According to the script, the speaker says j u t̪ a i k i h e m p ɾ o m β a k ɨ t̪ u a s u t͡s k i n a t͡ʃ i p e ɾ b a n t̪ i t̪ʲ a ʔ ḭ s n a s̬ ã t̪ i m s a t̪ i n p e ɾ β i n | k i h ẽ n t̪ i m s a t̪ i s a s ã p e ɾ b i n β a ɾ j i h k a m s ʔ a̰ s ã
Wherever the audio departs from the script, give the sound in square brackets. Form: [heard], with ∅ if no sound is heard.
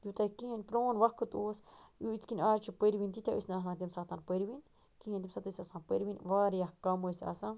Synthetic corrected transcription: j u t̪ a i k i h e [n] p ɾ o [n] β a k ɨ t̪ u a s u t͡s k i n a t͡ʃ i p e ɾ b [i] n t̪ i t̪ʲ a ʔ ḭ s n a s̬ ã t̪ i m s a t̪ [a] n p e ɾ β i n | k i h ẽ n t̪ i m s a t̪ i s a s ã p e ɾ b i n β a ɾ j [a] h k a m s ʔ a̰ s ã